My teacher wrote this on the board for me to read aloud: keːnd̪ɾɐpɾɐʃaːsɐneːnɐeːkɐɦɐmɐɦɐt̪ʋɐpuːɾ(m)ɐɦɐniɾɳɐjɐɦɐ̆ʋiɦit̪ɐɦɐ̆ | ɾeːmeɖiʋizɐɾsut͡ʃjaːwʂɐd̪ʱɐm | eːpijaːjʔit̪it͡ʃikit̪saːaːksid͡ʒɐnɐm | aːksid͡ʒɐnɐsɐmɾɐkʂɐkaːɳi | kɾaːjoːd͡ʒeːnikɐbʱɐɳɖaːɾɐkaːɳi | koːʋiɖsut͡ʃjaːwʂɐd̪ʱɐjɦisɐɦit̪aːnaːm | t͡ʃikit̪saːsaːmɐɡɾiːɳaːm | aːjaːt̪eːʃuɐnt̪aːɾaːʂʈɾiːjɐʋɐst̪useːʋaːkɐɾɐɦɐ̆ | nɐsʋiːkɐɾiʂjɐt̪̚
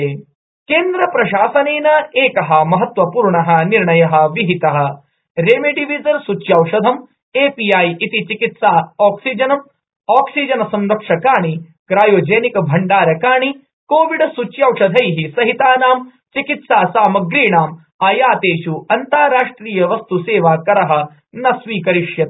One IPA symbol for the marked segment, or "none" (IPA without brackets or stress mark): ɳ